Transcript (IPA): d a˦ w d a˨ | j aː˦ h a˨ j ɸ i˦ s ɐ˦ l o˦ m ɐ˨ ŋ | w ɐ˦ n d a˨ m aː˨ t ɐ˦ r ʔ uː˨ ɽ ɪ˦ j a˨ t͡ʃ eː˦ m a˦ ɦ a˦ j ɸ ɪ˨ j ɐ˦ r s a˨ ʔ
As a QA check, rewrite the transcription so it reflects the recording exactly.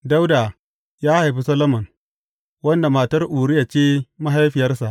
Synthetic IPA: d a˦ w d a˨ | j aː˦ h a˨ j ɸ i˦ s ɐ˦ l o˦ m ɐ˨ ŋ | w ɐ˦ n d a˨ m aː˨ t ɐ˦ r ʔ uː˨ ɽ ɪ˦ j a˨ t͡ʃ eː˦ m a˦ ɦ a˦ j ɸ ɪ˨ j ɐ˦ r s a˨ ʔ